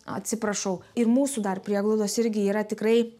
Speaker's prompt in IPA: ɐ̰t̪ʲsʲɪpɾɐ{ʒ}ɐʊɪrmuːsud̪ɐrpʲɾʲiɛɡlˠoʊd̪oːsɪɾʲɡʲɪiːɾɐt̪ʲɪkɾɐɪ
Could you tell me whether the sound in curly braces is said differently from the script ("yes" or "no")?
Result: yes